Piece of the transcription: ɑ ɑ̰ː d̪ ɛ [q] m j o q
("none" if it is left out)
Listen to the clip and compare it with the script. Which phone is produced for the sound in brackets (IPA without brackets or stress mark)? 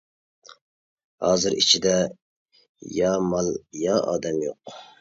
none